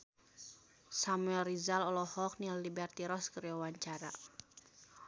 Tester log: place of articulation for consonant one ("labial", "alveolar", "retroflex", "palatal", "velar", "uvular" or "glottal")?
alveolar